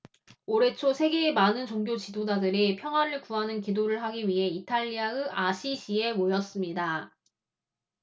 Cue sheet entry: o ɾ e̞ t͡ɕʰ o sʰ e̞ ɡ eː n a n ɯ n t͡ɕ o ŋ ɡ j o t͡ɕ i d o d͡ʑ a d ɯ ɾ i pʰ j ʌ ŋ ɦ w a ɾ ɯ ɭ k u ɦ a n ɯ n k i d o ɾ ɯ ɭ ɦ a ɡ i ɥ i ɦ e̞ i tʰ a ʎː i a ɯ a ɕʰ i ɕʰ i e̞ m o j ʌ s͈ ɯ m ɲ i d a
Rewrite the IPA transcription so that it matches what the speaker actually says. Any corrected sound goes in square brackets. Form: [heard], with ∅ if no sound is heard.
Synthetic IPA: o ɾ e̞ t͡ɕʰ o sʰ e̞ ɡ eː [m] a n ɯ n t͡ɕ o ŋ ɡ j o t͡ɕ i d o d͡ʑ a d ɯ ɾ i pʰ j ʌ ŋ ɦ w a ɾ ɯ ɭ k u ɦ a n ɯ n k i d o ɾ ɯ ɭ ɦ a ɡ i ɥ i ɦ e̞ i tʰ a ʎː i a ɯ a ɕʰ i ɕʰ i e̞ m o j ʌ s͈ ɯ m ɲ i d a

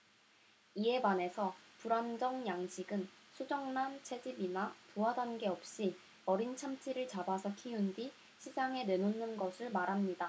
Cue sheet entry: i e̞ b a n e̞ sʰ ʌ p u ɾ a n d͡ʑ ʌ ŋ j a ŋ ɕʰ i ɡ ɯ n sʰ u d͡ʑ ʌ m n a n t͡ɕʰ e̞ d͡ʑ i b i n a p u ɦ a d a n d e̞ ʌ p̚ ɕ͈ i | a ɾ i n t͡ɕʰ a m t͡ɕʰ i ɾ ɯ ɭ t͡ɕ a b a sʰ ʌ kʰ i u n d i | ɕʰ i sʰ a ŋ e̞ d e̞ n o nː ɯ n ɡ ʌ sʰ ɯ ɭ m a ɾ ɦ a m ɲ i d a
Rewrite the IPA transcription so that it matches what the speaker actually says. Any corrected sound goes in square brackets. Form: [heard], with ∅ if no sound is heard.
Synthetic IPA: i e̞ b a n e̞ sʰ ʌ p u ɾ a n d͡ʑ ʌ ŋ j a ŋ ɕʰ i ɡ ɯ n sʰ u d͡ʑ ʌ [ŋ] n a n t͡ɕʰ e̞ d͡ʑ i b i n a p u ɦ a d a n [ɡ] e̞ ʌ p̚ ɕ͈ i | [ʌ] ɾ i n t͡ɕʰ a m t͡ɕʰ i ɾ ɯ ɭ t͡ɕ a b a sʰ ʌ kʰ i u n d i | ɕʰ i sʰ a ŋ e̞ [n] e̞ n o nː ɯ n ɡ ʌ sʰ ɯ ɭ m a ɾ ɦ a m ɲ i d a

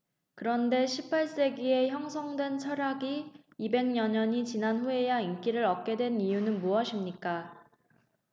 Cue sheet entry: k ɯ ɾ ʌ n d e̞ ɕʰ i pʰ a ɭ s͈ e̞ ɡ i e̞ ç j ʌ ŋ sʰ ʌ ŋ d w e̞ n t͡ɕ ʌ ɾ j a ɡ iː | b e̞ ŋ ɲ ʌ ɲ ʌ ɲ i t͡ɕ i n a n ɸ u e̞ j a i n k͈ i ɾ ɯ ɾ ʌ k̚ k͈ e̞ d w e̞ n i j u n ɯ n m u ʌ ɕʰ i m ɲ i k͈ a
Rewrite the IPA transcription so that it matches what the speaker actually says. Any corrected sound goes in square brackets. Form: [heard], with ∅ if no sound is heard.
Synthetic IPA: k ɯ ɾ ʌ n d e̞ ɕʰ i pʰ a ɭ s͈ e̞ ɡ i e̞ ç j ʌ ŋ sʰ ʌ ŋ d w e̞ n [t͡ɕʰ] ʌ ɾ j a ɡ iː | b e̞ ŋ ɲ ʌ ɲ ʌ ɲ i t͡ɕ i n a n ɸ u e̞ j a i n k͈ i ɾ ɯ ɾ ʌ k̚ k͈ e̞ d w e̞ n i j u n ɯ n m u ʌ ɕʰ i m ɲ i k͈ a

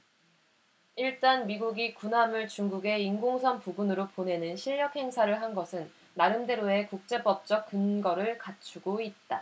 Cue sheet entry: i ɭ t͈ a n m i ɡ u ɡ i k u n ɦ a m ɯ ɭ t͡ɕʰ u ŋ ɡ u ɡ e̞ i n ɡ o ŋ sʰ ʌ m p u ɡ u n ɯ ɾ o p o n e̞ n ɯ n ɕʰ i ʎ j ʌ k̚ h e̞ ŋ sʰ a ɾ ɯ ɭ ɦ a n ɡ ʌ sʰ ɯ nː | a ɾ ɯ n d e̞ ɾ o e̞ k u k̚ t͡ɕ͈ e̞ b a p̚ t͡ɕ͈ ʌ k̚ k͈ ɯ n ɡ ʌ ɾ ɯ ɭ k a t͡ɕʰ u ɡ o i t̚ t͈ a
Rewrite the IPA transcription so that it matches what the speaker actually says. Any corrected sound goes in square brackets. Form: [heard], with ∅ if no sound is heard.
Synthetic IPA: i ɭ t͈ a n m i ɡ u ɡ i k u n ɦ a m ɯ ɭ [t͡ɕ] u ŋ ɡ u ɡ e̞ i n ɡ o ŋ sʰ ʌ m p u ɡ u n ɯ ɾ o p o n e̞ n ɯ n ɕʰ i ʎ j ʌ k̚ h e̞ ŋ sʰ a ɾ ɯ ɭ ɦ a n ɡ ʌ sʰ ɯ nː | a ɾ ɯ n d e̞ ɾ o e̞ k u k̚ t͡ɕ͈ e̞ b [ʌ] p̚ t͡ɕ͈ ʌ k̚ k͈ ɯ n ɡ ʌ ɾ ɯ ɭ k a t͡ɕʰ u ɡ o i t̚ t͈ a

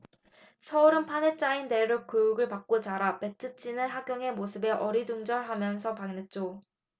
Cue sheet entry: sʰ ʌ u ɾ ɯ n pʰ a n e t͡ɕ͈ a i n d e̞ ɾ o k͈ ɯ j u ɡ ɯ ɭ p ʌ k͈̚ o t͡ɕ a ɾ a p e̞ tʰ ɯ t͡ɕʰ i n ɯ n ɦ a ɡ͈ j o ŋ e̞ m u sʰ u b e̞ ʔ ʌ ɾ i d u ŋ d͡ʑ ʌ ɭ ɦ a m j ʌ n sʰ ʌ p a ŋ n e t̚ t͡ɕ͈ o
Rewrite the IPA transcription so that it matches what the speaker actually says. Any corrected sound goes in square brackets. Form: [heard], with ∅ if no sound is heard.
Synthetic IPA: sʰ ʌ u ɾ ɯ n pʰ a n e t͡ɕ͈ a i n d e̞ ɾ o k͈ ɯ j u ɡ ɯ ɭ p [a] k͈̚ o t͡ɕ a ɾ a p e̞ tʰ ɯ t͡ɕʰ i n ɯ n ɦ a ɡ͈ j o ŋ e̞ m [o] sʰ [ɯ] b e̞ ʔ ʌ ɾ i d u ŋ d͡ʑ ʌ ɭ ɦ a m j ʌ n sʰ ʌ p a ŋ n e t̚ t͡ɕ͈ o

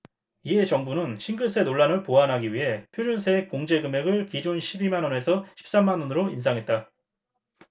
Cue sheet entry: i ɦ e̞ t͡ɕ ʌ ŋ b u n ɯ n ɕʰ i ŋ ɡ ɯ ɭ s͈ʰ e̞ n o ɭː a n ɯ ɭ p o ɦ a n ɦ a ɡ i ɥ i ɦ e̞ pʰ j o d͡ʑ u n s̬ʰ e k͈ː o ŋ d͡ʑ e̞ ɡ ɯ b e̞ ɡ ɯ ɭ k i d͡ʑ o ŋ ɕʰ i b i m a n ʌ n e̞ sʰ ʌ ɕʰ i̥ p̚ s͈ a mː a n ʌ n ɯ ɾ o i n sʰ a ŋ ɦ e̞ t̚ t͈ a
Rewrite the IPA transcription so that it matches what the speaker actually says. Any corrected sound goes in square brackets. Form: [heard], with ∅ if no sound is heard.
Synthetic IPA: i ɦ e̞ t͡ɕ ʌ ŋ b u n ɯ n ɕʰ i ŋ ɡ ɯ ɭ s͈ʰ e̞ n o ɭː a n ɯ ɭ p o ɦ a n ɦ a ɡ i ɥ i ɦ e̞ pʰ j o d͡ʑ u n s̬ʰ e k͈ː o ŋ d͡ʑ e̞ ɡ ɯ [m] e̞ ɡ ɯ ɭ k i d͡ʑ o [n] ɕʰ i b i m a n ʌ n e̞ sʰ ʌ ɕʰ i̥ p̚ s͈ a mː a n ʌ n ɯ ɾ o i n sʰ a ŋ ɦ e̞ t̚ t͈ a

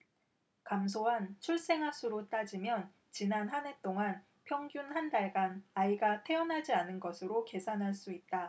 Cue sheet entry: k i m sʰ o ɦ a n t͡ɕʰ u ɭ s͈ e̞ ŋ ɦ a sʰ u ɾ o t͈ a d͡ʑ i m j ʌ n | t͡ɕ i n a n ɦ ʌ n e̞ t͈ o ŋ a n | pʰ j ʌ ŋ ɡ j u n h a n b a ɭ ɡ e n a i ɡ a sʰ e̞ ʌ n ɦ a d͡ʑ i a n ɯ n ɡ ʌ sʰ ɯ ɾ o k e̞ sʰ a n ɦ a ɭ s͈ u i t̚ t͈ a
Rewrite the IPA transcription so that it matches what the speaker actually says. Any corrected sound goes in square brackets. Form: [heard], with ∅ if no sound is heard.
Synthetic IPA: k [a] m sʰ o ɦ a n t͡ɕʰ u ɭ s͈ e̞ ŋ ɦ a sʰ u ɾ o t͈ a d͡ʑ i m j ʌ n | t͡ɕ i n a n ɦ [a] n e̞ t͈ o ŋ a n | pʰ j ʌ ŋ ɡ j u n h a n [d] a ɭ ɡ [a] n a i ɡ a [tʰ] e̞ ʌ n ɦ a d͡ʑ i a n ɯ n ɡ ʌ sʰ ɯ ɾ o k e̞ sʰ a n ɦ a ɭ s͈ u i t̚ t͈ a

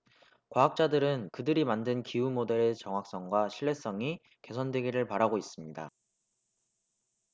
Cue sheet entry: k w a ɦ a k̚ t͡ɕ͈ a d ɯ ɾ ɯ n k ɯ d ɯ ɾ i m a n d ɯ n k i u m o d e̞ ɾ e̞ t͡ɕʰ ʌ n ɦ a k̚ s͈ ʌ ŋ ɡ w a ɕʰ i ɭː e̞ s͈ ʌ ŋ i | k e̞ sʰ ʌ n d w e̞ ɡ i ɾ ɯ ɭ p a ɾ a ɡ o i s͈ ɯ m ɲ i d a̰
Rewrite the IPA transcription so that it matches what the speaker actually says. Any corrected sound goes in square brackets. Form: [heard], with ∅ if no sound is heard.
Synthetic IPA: k w a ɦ a k̚ t͡ɕ͈ a d ɯ ɾ ɯ n k ɯ d ɯ ɾ i m a n d ɯ n k i u m o d e̞ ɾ e̞ [t͡ɕ] ʌ [ŋ] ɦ a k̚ s͈ ʌ ŋ ɡ w a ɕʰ i ɭː e̞ s͈ ʌ ŋ i | k e̞ sʰ ʌ n d w e̞ ɡ i ɾ ɯ ɭ p a ɾ a ɡ o i s͈ ɯ m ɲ i d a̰

